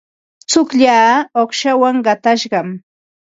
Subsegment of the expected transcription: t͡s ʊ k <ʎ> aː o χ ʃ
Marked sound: correct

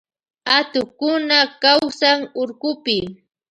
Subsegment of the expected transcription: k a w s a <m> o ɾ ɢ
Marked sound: incorrect: ŋ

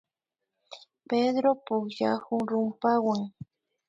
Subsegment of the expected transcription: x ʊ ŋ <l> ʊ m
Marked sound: incorrect: ɾ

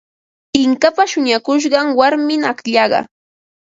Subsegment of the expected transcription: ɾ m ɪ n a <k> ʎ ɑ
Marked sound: correct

